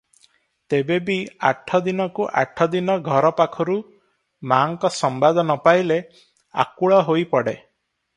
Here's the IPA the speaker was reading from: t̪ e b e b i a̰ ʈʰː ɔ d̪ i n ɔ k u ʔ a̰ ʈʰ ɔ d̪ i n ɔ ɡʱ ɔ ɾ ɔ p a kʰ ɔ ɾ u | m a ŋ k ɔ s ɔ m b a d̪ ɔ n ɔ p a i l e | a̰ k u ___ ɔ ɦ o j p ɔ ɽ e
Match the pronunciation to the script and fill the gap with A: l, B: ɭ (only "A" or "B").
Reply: B